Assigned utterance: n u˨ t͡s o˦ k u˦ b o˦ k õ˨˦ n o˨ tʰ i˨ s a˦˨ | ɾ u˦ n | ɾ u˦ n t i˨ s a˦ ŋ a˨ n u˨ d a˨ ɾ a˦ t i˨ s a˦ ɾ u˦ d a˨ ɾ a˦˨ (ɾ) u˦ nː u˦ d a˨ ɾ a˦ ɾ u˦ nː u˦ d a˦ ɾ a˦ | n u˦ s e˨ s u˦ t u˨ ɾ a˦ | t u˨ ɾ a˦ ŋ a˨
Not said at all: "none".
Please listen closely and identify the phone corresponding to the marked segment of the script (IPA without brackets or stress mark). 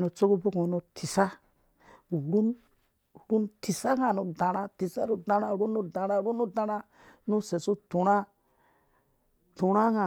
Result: ɾ